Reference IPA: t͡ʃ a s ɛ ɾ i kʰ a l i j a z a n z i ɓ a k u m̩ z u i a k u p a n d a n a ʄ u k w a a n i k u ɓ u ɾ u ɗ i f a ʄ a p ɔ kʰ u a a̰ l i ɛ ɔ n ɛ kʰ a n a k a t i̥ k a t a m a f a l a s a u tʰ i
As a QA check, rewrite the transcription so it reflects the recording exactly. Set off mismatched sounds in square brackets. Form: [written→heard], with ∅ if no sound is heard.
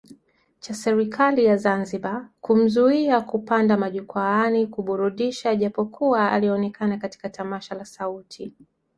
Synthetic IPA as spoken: t͡ʃ a s ɛ ɾ i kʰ a l i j a z a n z i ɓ a k u m̩ z u i a k u p a n d a [n→m] a ʄ u k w a a n i k u ɓ u ɾ u ɗ i [f→ʃ] a ʄ a p ɔ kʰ u a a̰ l i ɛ ɔ n ɛ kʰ a n a k a t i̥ k a t a m a [f→ʃ] a l a s a u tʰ i

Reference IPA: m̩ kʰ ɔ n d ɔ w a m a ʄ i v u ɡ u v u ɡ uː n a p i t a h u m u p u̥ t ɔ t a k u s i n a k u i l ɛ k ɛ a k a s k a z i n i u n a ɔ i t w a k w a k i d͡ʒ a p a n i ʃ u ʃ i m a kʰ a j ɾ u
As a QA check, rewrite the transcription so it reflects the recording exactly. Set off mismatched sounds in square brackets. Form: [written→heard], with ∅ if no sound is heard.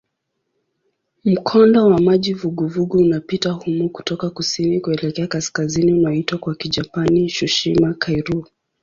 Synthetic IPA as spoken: m̩ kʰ ɔ n d ɔ w a m a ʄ i v u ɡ u v u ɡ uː n a p i t a h u m u [p→k] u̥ t ɔ [t→k] a k u s i n [a→i] k u [i→ɛ] l ɛ k ɛ a k a s k a z i n i u n a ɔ i t w a k w a k i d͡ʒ a p a n i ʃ u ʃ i m a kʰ a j ɾ u

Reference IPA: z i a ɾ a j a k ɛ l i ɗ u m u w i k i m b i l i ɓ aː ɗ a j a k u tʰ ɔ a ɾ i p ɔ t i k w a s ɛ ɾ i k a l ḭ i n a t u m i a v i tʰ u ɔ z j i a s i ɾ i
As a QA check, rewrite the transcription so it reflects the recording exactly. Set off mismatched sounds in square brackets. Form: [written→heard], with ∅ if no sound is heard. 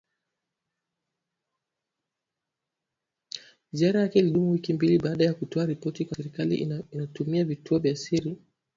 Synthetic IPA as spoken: z i a ɾ a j a k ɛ l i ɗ u m u w i k i m b i l i ɓ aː ɗ a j a k u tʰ ɔ a ɾ i p ɔ t i k w a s ɛ ɾ i k a l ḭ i n a t u m i a v i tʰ u ɔ [z→v] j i a s i ɾ i

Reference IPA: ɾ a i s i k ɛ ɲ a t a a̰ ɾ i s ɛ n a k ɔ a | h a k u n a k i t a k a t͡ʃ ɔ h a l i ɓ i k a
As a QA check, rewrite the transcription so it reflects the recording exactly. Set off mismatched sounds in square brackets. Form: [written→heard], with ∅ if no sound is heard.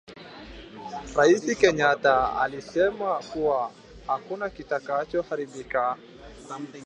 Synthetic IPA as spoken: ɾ a i s i k ɛ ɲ a t a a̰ [ɾ→l] i s ɛ [n→m] a k [ɔ→u] a | h a k u n a k i t a k a t͡ʃ ɔ h a [l→ɾ] i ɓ i k a

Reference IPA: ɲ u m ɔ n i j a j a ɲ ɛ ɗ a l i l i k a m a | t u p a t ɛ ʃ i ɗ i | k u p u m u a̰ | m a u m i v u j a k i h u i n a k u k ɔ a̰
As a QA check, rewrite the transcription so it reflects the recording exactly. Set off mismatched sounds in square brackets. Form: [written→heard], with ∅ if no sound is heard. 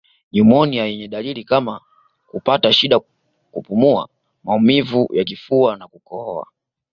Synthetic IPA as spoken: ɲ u m ɔ n i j a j [a→ɛ] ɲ ɛ ɗ a l i l i k a m a | [t→k] u p a t [ɛ→a] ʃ i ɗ [i→a] | k u p u m u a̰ | m a u m i v u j a k i [h→f] u [i→a] n a k u k ɔ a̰

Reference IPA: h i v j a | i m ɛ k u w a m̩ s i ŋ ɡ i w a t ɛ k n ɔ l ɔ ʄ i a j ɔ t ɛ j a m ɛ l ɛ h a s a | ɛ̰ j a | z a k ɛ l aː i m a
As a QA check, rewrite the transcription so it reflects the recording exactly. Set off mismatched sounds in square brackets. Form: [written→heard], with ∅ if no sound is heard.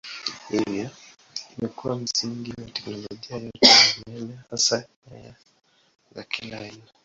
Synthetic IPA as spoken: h i v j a | i m ɛ k u w a m̩ s i ŋ ɡ i w a t ɛ k n ɔ l ɔ ʄ i a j ɔ t ɛ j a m ɛ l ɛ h a s a | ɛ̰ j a | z a k [ɛ→i] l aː i [m→n] a

